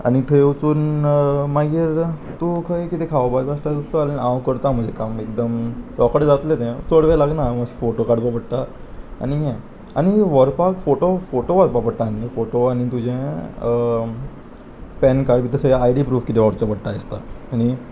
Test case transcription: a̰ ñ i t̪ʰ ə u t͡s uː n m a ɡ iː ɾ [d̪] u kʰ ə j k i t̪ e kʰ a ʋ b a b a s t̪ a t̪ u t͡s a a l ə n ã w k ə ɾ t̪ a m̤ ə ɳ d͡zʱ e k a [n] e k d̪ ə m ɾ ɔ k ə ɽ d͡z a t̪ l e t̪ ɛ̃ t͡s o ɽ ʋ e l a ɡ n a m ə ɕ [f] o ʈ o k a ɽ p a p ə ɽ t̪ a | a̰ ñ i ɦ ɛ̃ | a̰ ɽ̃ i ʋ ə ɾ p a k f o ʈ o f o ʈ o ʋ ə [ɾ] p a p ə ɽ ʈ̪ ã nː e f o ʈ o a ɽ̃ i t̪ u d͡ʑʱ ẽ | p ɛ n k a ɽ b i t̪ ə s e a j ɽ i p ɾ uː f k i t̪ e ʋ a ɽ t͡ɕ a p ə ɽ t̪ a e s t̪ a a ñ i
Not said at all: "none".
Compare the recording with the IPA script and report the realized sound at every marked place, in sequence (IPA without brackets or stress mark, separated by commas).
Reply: t̪, m, f, ɾ